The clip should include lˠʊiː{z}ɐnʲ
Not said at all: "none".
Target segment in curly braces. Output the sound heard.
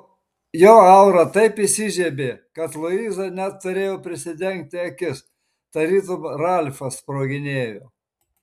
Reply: z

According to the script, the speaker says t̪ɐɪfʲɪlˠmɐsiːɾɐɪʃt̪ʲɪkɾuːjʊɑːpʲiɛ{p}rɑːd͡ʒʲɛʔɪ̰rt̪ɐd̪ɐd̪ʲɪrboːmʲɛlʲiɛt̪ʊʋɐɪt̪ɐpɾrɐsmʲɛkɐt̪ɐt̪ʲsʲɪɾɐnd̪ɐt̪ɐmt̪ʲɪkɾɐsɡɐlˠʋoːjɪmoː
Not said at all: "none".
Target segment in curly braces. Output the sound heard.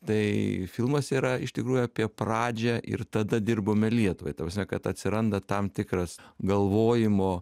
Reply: p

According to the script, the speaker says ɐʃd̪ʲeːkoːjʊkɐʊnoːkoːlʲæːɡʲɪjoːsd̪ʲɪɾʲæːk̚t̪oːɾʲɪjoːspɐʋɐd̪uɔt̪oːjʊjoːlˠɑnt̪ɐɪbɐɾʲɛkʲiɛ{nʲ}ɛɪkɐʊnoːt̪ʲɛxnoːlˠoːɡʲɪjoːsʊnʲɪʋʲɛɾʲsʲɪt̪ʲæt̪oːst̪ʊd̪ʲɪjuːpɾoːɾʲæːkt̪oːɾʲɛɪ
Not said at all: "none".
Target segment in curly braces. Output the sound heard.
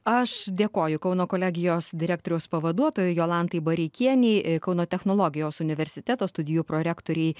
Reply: nʲ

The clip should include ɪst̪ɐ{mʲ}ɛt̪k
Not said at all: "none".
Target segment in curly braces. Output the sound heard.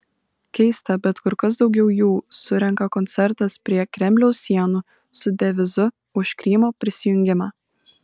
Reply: bʲ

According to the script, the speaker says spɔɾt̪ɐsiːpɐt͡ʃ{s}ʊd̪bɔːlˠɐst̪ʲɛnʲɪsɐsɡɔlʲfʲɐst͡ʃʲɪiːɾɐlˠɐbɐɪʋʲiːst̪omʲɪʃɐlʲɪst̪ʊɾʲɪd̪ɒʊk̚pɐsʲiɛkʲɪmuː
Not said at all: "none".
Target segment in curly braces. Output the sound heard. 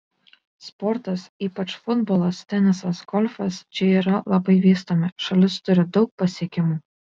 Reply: f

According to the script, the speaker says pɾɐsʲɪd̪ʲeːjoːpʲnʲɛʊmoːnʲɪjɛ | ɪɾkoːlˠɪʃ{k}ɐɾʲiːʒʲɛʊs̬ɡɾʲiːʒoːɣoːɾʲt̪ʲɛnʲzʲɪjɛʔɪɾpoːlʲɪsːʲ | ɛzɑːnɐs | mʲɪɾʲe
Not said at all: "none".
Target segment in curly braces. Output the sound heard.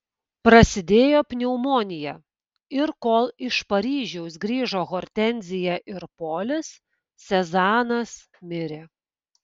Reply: p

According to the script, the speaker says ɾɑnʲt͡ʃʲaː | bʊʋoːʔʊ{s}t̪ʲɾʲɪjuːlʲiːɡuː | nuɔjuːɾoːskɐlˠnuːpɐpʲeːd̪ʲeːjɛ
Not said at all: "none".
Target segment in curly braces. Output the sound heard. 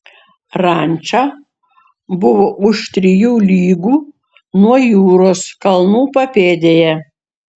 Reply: ʃ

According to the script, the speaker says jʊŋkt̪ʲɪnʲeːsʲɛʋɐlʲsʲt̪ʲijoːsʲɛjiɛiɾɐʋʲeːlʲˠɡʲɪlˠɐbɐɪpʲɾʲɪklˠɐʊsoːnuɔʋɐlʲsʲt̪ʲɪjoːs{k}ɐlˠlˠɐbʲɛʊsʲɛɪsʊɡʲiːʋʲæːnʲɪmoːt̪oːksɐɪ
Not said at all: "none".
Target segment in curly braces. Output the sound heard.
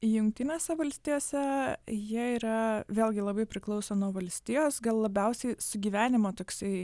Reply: ɡ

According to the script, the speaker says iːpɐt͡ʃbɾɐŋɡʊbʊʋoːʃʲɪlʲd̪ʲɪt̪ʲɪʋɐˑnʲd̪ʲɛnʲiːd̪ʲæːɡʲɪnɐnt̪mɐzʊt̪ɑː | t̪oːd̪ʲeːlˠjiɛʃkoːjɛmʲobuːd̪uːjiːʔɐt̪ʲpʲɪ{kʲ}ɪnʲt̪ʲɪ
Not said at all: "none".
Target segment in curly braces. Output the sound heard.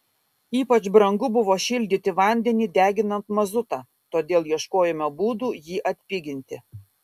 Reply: ɡʲ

